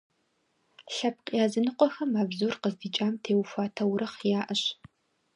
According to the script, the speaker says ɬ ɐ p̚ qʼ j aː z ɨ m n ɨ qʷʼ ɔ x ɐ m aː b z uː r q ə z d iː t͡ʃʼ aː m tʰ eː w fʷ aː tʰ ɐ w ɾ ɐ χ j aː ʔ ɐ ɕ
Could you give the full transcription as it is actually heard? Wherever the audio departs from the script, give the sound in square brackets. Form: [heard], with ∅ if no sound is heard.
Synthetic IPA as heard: ɬ ɐ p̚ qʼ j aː z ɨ [∅] n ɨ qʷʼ ɔ x ɐ m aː b z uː r q ə z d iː t͡ʃʼ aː m tʰ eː w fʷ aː tʰ ɐ w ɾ ɐ χ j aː ʔ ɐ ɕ